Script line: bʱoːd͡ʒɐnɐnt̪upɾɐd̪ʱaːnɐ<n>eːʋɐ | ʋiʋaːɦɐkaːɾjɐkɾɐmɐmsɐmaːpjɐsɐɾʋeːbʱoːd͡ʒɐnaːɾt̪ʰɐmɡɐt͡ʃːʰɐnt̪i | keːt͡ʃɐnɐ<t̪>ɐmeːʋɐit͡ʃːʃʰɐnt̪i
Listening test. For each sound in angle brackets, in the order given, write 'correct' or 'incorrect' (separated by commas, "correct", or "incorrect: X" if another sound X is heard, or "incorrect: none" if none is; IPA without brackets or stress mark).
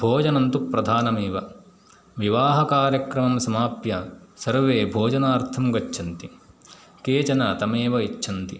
incorrect: m, correct